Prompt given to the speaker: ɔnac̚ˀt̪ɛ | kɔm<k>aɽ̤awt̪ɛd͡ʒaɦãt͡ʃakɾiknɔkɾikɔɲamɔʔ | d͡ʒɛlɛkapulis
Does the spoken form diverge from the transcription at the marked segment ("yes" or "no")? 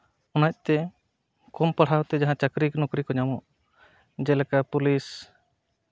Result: yes